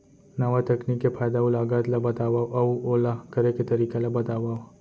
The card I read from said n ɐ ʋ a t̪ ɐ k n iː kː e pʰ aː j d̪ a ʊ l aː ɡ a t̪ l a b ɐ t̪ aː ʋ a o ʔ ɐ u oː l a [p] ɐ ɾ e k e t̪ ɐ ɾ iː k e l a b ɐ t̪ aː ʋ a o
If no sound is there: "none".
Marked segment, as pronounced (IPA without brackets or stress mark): k